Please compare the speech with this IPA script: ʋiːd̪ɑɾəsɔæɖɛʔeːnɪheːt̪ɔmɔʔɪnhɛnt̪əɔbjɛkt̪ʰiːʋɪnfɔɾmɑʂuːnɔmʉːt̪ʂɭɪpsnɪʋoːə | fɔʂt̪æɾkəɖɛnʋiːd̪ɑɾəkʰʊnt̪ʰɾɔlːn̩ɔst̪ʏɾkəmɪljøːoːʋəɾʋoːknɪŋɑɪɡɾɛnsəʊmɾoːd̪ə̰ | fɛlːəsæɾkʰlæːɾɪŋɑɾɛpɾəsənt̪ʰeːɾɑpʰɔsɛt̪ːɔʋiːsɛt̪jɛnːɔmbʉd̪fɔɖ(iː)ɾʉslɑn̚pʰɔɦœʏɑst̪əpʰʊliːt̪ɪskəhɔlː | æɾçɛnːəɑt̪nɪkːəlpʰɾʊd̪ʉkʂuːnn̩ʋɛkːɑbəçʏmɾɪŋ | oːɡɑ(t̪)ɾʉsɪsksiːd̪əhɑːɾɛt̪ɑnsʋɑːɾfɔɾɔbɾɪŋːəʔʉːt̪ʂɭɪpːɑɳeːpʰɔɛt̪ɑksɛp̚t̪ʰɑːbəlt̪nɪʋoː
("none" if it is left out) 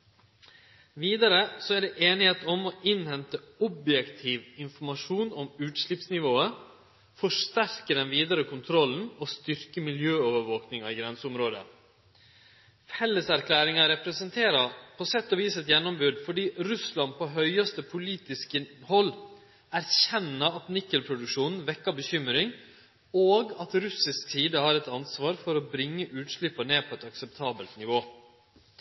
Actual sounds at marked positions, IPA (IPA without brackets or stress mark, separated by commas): iː, t̪